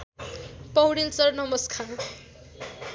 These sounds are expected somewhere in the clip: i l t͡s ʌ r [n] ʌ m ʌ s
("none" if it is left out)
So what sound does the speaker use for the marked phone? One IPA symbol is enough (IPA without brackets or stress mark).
n